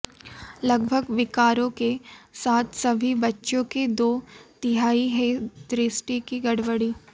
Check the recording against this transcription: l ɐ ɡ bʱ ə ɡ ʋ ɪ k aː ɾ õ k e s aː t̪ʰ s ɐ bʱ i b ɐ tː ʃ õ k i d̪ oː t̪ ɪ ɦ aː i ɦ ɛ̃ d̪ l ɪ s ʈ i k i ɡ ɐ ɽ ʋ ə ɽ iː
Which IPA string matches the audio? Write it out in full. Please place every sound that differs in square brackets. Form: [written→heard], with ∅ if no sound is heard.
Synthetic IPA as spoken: l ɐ ɡ bʱ ə ɡ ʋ ɪ k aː ɾ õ k e s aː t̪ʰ s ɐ bʱ i b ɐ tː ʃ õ k [i→e] d̪ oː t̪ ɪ ɦ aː i ɦ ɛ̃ d̪ [l→ɾ] ɪ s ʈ i k i ɡ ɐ ɽ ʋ ə ɽ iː